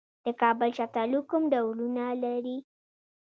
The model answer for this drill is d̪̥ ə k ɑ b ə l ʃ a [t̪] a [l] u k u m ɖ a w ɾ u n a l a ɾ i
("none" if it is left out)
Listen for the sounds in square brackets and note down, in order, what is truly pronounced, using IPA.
t̪, l

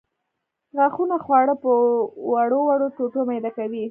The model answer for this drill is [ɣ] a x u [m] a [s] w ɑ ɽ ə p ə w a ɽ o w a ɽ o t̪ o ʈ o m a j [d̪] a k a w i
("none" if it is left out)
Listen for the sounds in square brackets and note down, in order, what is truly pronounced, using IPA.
ɣ, n, x, d̪

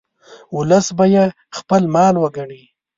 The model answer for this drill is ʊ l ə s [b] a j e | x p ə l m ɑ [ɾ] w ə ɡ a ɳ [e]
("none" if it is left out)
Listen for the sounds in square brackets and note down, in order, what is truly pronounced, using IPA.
b, l, i

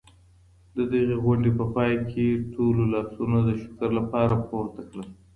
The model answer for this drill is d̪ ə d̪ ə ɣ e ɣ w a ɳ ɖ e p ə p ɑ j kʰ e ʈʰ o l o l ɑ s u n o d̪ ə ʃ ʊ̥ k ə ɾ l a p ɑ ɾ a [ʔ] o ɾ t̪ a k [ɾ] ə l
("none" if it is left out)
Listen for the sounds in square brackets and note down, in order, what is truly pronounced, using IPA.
p, ɽ

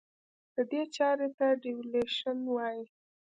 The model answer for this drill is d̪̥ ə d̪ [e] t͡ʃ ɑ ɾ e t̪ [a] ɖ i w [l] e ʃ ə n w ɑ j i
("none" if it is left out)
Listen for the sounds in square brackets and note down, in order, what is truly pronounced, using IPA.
e, a, l

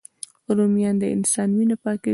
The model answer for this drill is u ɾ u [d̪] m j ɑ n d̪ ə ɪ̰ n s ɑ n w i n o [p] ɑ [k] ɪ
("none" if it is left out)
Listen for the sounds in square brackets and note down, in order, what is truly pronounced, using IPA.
none, p, k

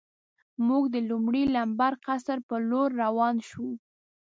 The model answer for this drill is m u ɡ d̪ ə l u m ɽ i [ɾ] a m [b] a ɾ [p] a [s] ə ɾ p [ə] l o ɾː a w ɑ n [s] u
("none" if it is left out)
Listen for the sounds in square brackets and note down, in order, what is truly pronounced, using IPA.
l, b, q, s, ə, ʃ

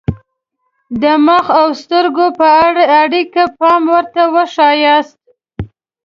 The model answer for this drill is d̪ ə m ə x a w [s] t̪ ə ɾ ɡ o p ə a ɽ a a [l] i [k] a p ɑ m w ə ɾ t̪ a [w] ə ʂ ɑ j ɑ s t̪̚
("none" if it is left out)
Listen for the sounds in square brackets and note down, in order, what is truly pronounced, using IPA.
s, ɽ, k, w

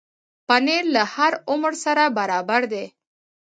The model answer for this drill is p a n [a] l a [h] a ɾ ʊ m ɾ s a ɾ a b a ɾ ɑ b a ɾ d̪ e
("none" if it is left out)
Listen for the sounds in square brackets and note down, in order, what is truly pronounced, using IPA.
e, h

